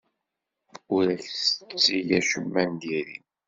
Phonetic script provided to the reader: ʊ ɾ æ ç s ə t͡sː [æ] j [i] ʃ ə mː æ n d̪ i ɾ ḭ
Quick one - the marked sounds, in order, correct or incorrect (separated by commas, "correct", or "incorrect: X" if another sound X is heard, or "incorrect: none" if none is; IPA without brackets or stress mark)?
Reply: incorrect: i, incorrect: æ